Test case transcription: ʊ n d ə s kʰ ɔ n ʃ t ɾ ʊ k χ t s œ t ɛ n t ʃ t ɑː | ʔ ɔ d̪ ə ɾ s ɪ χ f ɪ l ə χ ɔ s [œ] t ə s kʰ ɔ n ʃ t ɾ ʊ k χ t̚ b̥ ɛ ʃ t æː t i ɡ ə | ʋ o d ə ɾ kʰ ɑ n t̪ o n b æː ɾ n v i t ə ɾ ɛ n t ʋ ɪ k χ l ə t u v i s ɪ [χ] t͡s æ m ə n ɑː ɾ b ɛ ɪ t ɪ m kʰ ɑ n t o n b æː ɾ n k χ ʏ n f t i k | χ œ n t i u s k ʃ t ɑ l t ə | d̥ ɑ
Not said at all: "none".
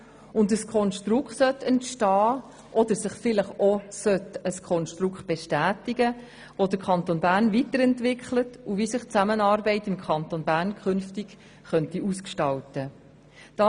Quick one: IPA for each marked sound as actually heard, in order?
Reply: œ, χ

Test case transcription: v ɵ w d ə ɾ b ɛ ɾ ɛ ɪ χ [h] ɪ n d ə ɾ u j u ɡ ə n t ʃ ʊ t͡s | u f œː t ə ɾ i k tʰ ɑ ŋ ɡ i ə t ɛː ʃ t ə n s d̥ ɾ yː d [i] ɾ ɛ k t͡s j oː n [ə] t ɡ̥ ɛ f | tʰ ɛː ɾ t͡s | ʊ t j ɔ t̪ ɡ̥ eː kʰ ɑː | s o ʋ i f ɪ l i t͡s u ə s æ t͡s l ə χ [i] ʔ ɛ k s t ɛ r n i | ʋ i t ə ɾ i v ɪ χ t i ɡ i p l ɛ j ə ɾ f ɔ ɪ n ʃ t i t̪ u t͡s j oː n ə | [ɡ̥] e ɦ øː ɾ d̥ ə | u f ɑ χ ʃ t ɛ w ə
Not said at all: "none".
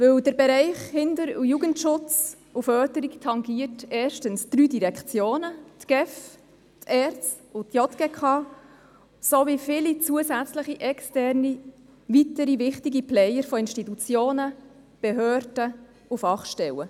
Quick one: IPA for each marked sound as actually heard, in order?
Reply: h, i, ə, i, b̥

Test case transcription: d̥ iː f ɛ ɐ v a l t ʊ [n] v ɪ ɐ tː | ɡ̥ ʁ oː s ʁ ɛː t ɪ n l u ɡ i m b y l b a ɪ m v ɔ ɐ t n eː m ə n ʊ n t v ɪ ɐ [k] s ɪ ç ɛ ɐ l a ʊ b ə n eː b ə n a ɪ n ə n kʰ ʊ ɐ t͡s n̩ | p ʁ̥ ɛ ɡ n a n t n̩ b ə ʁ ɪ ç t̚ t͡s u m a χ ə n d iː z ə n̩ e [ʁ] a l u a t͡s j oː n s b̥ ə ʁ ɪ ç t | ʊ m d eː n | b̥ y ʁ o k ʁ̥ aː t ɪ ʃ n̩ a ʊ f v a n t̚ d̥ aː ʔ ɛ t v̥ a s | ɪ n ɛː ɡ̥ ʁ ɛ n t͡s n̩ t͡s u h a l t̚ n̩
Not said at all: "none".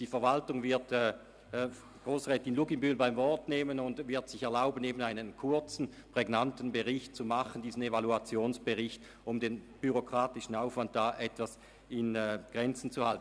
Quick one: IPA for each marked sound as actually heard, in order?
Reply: ŋ, t, v

